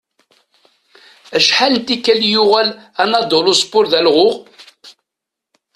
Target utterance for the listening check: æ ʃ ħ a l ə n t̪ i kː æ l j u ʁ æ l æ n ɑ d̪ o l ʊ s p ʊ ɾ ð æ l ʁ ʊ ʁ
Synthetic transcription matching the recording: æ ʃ ħ a l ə n t̪ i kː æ l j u ʁ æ l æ n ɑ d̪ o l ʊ s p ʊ ɾ ð æ l ʁ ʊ ʁ